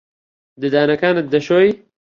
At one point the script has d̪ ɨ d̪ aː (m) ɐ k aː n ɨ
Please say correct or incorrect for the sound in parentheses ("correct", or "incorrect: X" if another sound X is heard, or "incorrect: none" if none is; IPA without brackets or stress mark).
incorrect: n